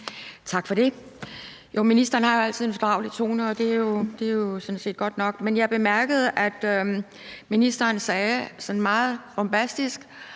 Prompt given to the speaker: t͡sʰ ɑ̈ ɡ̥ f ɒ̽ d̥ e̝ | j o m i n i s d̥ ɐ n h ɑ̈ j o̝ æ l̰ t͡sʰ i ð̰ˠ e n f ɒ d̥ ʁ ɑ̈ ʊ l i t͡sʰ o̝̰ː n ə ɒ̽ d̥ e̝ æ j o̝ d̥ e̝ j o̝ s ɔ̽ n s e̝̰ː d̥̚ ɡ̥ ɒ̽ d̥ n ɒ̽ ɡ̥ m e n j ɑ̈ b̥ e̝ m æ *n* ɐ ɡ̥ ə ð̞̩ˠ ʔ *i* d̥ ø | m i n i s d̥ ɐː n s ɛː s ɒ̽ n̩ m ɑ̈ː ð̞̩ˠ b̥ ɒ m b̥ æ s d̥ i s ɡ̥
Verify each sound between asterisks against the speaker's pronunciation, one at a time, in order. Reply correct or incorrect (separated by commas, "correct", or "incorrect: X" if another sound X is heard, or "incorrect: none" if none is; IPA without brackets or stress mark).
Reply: incorrect: none, incorrect: æ